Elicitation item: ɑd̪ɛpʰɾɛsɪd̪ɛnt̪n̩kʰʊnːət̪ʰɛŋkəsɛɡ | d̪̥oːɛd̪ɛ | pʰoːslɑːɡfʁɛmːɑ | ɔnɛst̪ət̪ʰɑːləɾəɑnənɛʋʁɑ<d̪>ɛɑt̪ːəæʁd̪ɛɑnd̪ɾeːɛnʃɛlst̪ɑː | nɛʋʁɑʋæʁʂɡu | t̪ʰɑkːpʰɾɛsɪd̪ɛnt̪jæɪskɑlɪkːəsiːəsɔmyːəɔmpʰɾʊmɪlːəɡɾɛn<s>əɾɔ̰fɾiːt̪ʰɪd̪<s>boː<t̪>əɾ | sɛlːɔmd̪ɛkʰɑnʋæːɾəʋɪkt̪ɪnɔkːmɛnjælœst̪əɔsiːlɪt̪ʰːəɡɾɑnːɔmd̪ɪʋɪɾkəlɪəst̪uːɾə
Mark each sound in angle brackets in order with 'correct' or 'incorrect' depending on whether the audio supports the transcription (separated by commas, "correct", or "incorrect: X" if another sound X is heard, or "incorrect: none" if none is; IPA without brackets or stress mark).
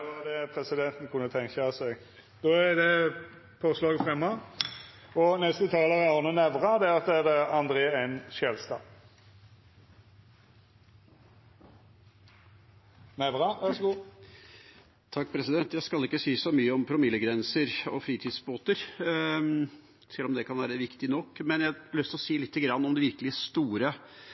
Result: correct, correct, correct, correct